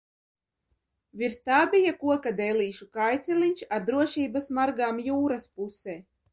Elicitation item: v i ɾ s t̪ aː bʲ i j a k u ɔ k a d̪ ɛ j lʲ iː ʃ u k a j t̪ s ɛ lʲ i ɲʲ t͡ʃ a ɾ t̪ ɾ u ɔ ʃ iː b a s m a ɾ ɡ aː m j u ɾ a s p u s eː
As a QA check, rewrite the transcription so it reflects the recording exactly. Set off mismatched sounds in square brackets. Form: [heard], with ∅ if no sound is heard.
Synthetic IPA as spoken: v i ɾ s t̪ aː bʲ i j a k u ɔ k a d̪ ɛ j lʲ iː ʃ u k a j t̪ s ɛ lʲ i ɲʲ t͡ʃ a ɾ [d̪] ɾ u ɔ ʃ iː b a s m a ɾ ɡ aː m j [uː] ɾ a s p u s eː